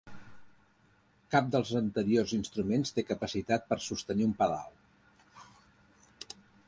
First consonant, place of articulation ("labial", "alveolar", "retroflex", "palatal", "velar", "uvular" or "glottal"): velar